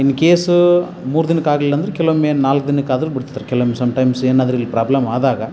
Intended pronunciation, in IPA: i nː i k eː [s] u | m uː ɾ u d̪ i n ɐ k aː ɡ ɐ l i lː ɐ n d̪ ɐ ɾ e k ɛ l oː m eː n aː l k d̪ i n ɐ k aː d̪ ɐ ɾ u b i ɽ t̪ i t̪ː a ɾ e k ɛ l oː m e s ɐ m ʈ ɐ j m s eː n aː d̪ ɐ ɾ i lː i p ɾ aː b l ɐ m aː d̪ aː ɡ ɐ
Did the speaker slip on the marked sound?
no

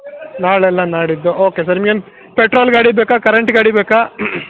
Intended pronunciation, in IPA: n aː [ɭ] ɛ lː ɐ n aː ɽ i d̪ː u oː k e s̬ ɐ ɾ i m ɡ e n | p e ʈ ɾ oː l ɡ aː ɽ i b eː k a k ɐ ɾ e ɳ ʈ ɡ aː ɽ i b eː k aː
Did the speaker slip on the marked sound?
no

